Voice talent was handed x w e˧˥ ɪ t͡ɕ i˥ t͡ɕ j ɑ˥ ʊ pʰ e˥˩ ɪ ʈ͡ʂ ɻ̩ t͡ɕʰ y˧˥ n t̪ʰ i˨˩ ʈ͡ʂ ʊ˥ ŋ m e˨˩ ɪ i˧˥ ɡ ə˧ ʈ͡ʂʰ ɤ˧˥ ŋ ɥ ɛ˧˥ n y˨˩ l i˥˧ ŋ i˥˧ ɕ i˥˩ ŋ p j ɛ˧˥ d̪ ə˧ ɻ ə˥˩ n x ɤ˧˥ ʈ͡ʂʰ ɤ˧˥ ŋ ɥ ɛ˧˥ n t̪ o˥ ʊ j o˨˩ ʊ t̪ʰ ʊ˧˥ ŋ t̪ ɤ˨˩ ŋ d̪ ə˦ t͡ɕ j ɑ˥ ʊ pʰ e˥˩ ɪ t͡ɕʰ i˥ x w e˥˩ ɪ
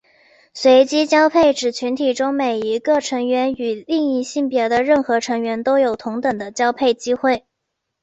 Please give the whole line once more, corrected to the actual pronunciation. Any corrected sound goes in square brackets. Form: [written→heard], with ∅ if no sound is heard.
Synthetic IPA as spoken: [x→s] w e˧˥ ɪ t͡ɕ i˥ t͡ɕ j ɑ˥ ʊ pʰ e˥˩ ɪ ʈ͡ʂ ɻ̩ t͡ɕʰ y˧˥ n t̪ʰ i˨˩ ʈ͡ʂ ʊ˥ ŋ m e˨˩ ɪ i˧˥ ɡ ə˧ ʈ͡ʂʰ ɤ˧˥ ŋ ɥ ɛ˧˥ n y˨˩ l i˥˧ ŋ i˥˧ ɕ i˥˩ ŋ p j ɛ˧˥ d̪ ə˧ ɻ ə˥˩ n x ɤ˧˥ ʈ͡ʂʰ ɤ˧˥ ŋ ɥ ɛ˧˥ n t̪ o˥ ʊ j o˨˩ ʊ t̪ʰ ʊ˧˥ ŋ t̪ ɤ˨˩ ŋ d̪ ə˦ t͡ɕ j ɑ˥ ʊ pʰ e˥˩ ɪ [t͡ɕʰ→t͡ɕ] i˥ x w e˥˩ ɪ